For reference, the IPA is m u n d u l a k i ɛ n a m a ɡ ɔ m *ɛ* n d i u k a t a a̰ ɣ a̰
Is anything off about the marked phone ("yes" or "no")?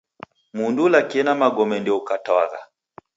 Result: no